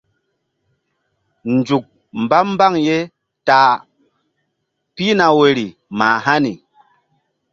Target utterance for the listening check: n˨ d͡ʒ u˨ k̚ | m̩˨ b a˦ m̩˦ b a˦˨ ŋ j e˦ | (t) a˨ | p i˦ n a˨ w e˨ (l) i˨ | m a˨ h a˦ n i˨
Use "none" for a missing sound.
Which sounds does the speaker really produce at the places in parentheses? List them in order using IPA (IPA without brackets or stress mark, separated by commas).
t, ɾ